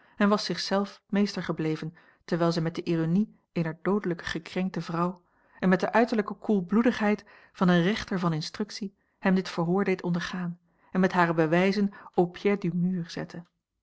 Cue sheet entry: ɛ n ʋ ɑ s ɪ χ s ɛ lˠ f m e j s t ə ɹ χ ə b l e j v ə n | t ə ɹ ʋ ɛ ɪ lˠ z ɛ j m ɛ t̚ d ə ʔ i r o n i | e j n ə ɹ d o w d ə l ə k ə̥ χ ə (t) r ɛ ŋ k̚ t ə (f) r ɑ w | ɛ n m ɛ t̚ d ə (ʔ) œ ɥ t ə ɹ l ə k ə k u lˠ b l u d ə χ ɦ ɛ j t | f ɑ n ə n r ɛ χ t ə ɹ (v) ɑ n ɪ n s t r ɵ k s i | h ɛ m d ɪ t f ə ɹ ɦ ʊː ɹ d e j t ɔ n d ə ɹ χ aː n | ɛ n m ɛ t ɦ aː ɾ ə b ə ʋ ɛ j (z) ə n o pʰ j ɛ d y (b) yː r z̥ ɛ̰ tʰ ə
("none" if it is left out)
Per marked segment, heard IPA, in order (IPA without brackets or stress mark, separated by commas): k, v, ʔ, v, z, m